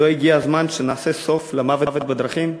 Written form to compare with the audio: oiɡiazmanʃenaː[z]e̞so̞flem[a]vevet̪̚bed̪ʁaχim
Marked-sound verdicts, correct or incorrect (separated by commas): incorrect, correct